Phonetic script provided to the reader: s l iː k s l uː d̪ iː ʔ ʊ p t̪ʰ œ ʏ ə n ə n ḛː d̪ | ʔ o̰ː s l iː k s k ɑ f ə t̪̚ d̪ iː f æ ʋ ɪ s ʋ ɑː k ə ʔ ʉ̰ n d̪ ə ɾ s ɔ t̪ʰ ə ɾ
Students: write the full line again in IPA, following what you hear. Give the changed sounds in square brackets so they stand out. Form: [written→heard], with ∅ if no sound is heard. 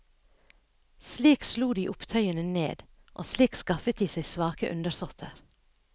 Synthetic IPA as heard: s l iː k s l uː d̪ iː ʔ ʊ p t̪ʰ œ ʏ ə n ə n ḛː d̪ | ʔ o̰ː s l iː k s k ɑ f ə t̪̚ d̪ iː [f→s] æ [ʋ→∅] ɪ s ʋ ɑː k ə ʔ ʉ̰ n d̪ ə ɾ s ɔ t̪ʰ ə ɾ

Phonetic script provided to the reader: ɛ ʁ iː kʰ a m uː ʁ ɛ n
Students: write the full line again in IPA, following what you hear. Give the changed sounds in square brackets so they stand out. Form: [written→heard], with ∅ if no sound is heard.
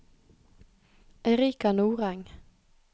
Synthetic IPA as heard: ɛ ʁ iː [kʰ→k] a [m→n] uː ʁ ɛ [n→ŋ]

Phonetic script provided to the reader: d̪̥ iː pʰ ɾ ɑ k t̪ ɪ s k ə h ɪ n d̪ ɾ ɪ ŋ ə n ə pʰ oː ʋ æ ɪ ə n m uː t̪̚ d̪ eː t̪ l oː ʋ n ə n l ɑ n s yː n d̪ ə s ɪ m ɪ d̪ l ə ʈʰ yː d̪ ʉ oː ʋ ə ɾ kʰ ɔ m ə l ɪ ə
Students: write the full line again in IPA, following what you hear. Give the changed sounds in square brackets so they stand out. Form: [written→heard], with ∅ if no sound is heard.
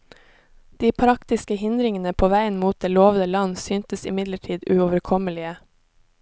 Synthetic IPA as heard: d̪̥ iː pʰ ɾ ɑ k t̪ ɪ s k ə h ɪ n d̪ ɾ ɪ ŋ ə n ə pʰ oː ʋ æ ɪ ə n m uː t̪̚ d̪ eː [t̪→∅] l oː ʋ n ə [n→∅] l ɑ n s yː n [d̪→t̪] ə s ɪ m ɪ d̪ l ə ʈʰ [yː→iː] d̪ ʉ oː ʋ ə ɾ kʰ ɔ m ə l ɪ ə

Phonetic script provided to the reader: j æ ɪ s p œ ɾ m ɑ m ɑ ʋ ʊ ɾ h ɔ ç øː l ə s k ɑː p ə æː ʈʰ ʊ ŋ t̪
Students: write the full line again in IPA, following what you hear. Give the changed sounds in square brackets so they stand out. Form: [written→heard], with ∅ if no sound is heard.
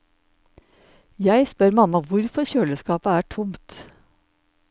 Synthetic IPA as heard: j æ ɪ s p œ ɾ m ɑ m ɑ ʋ ʊ ɾ [h→f] ɔ ç øː l ə s k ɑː p ə æː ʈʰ ʊ [ŋ→m] t̪

